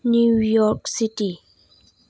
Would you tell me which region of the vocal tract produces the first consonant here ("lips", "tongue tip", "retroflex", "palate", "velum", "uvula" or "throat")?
tongue tip